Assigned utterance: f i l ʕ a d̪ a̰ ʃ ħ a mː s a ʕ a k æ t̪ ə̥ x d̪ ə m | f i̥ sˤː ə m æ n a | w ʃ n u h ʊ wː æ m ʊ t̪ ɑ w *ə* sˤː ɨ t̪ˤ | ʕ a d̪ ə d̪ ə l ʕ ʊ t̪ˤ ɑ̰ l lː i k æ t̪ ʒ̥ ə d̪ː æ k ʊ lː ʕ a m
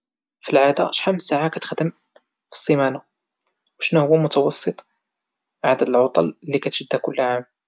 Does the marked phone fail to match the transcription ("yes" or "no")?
yes